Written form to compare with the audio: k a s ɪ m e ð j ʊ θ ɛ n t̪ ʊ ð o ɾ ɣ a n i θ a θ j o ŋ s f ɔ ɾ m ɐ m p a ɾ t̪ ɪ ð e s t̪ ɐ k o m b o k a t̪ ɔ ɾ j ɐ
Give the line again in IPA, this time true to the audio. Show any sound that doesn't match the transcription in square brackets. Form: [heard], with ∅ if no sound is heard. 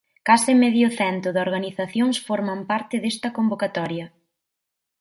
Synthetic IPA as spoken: k a s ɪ m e ð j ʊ θ ɛ n t̪ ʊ ð o ɾ ɣ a n i θ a θ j o ŋ s f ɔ ɾ m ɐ m p a ɾ t̪ ɪ ð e s t̪ ɐ k o m b o k a t̪ ɔ ɾ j ɐ